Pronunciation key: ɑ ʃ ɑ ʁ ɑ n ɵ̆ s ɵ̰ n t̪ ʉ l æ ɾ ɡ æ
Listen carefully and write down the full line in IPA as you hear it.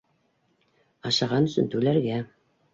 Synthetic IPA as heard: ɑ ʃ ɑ ʁ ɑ n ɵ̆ s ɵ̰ n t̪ ʉ l æ ɾ ɡ æ